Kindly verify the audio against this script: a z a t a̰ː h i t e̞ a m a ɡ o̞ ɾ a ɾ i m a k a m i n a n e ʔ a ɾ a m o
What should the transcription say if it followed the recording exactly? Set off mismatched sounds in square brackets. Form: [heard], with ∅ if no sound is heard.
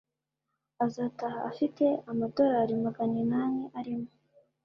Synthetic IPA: a z a t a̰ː [f] i t e̞ a m a [d] o̞ ɾ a ɾ i m a [ɡ] a [n] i n a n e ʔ a ɾ [i] m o